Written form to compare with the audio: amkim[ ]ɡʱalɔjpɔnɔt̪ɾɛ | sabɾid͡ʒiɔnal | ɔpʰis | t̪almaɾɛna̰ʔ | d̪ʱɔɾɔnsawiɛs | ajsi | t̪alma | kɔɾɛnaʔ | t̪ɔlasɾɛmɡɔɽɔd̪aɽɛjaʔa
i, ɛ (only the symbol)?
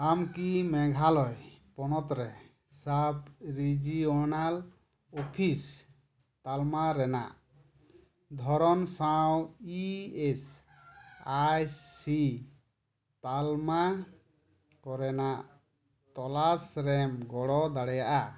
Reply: ɛ